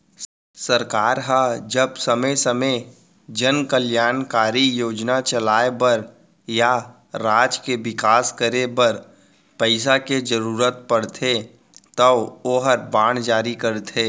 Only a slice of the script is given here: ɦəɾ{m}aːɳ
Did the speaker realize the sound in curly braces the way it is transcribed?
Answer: no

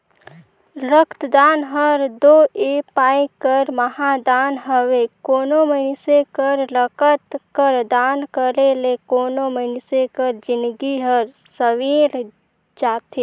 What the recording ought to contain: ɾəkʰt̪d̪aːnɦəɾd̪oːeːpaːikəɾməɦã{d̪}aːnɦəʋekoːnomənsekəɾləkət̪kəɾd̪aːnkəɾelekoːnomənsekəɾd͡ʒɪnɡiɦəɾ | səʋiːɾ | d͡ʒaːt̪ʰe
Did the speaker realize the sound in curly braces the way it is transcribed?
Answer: yes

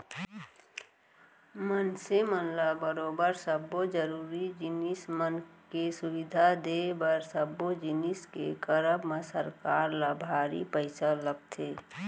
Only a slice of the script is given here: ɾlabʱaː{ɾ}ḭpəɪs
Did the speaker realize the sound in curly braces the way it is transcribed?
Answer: yes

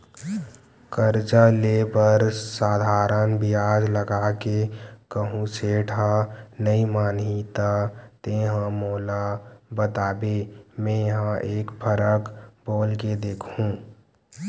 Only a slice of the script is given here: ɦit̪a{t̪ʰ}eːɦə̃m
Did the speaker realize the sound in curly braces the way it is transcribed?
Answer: no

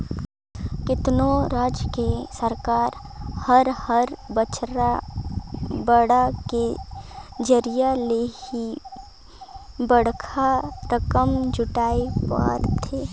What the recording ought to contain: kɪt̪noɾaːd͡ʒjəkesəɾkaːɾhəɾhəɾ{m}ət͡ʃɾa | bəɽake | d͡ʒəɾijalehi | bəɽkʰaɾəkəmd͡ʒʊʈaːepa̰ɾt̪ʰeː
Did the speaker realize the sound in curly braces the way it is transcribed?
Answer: no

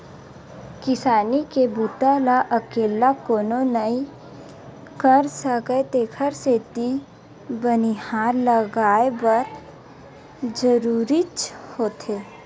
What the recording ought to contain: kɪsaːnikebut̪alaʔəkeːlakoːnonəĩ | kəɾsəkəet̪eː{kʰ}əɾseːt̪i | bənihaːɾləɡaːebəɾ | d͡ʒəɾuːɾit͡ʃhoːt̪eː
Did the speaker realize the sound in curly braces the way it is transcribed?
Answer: yes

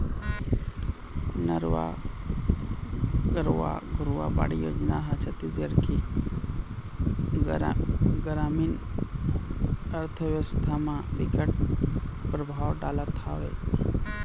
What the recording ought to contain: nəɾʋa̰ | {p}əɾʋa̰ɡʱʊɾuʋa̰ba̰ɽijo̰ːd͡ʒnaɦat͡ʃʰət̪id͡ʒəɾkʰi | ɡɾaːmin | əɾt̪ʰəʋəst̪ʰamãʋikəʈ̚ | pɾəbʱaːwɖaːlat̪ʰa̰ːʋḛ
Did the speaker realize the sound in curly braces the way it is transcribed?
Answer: no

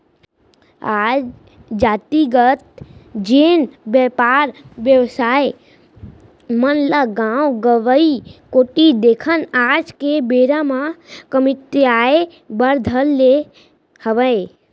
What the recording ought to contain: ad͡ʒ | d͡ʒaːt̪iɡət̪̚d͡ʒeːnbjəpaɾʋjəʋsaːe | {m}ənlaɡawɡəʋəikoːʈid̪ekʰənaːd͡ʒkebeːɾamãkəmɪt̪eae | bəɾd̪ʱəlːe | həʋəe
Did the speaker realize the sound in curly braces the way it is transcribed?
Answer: yes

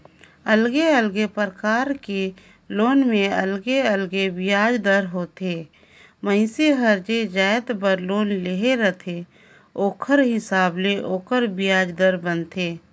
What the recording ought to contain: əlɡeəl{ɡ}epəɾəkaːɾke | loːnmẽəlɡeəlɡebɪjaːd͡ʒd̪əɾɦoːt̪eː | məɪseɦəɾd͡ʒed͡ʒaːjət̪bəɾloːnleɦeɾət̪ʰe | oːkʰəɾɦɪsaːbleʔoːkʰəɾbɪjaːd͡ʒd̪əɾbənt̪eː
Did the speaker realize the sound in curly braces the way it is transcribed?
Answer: yes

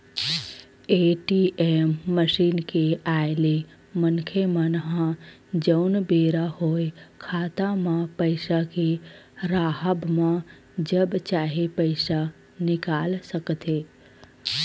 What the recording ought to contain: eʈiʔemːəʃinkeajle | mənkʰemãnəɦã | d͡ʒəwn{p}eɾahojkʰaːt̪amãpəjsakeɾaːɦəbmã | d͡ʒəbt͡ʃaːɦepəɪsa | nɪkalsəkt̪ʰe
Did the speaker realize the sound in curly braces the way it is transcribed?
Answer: no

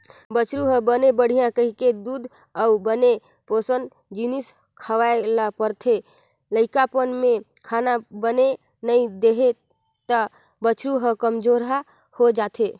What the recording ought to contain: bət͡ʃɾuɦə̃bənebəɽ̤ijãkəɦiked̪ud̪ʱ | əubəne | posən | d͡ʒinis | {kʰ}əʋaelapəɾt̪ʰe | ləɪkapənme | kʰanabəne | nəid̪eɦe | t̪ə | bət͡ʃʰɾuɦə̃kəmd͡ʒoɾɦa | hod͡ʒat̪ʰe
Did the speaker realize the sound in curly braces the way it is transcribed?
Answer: yes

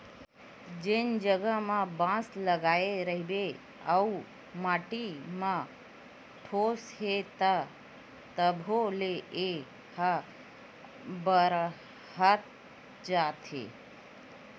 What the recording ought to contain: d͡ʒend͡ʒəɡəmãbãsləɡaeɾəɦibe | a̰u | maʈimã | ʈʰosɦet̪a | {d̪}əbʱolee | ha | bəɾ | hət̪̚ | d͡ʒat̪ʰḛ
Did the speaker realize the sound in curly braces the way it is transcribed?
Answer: no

